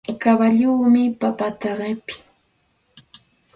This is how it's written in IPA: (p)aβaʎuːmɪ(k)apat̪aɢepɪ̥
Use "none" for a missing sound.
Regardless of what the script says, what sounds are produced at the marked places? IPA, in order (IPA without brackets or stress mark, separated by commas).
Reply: k, p